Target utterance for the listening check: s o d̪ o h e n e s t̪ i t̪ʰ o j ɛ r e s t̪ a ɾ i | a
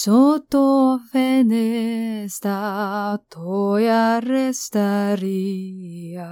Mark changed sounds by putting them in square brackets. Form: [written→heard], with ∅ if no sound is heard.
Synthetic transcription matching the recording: s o [d̪→t̪] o [h→f] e n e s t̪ [i→a] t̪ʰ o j [ɛ→a] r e s t̪ a ɾ i | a